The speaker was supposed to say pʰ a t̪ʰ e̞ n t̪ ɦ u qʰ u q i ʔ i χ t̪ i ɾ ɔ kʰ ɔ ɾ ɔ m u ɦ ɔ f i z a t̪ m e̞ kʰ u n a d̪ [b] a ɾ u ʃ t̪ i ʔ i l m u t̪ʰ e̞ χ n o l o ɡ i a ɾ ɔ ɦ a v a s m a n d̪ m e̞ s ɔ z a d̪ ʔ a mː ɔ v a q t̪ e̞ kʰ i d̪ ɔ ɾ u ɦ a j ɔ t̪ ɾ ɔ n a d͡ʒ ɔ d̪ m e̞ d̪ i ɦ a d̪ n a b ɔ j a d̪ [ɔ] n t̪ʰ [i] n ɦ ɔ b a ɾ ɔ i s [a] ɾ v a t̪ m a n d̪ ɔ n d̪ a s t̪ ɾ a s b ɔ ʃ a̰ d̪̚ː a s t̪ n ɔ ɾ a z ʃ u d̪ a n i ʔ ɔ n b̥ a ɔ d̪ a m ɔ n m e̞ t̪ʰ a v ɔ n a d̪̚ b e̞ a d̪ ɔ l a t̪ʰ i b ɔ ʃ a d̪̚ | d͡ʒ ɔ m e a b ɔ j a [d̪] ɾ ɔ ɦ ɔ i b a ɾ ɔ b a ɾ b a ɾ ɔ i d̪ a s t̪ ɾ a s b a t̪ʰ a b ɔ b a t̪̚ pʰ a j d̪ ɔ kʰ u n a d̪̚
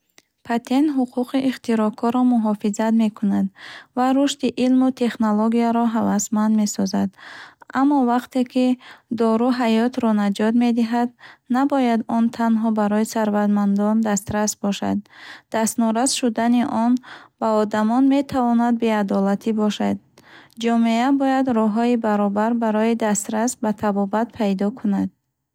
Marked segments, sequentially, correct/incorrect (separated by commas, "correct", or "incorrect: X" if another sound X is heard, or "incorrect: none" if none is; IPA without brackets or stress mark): incorrect: v, correct, incorrect: a, correct, correct